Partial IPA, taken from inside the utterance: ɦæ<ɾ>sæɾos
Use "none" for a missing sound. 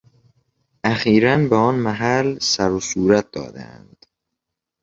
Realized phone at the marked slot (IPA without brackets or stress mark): l